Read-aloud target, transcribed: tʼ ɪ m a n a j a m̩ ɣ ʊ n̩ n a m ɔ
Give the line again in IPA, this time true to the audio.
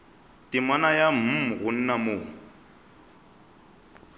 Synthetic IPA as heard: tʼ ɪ m a n a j a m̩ ɣ ʊ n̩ n a m o